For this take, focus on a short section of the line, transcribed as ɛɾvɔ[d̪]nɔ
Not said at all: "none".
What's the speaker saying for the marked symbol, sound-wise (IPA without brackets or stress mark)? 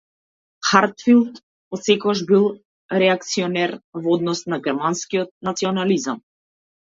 d̪